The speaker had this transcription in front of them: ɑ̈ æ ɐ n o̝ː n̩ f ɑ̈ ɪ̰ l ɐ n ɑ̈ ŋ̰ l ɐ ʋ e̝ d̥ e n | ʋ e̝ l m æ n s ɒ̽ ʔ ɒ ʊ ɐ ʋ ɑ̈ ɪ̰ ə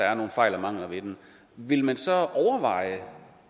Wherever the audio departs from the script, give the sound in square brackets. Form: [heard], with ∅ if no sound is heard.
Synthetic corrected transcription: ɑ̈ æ ɐ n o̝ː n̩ f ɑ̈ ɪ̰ l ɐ [m] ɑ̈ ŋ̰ l ɐ ʋ e̝ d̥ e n | ʋ e̝ l m æ n s ɒ̽ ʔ ɒ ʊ ɐ ʋ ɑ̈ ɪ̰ ə